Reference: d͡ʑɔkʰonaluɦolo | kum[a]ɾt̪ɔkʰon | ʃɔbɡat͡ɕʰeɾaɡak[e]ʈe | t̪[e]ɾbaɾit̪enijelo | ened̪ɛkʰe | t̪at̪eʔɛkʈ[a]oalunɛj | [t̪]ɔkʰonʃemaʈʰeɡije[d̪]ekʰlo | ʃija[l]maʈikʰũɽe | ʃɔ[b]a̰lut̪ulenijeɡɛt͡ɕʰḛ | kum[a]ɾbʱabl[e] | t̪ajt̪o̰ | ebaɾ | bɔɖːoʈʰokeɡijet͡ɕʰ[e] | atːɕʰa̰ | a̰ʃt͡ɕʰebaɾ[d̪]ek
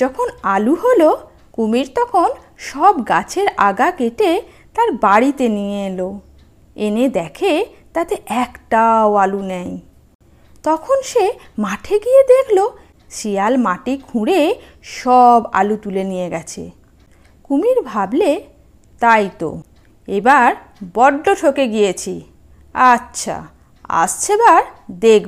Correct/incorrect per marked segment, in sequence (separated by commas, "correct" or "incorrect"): incorrect, correct, incorrect, correct, correct, correct, correct, correct, incorrect, correct, incorrect, correct